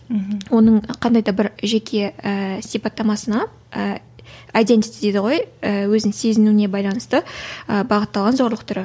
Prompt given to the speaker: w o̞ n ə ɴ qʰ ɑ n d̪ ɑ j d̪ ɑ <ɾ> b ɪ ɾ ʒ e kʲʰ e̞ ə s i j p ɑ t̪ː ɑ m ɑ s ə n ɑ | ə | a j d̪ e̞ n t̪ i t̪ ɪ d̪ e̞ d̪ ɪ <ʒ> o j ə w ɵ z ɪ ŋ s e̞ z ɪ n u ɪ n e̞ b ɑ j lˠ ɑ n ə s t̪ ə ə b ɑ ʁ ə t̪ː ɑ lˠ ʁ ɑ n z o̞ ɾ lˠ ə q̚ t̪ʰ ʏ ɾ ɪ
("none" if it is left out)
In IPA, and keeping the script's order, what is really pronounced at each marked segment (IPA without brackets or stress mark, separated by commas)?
none, ʁ